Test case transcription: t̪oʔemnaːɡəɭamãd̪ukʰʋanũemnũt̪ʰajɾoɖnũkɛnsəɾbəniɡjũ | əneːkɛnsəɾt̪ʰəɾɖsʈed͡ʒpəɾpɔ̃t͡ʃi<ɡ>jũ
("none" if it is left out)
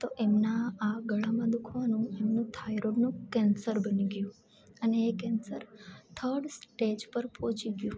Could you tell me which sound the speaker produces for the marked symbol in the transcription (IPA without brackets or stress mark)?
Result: ɡ